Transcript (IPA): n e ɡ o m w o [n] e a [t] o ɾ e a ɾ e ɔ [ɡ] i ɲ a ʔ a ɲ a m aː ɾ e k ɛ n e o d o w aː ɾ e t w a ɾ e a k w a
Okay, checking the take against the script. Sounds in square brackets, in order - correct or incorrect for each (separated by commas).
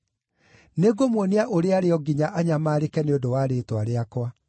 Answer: correct, incorrect, correct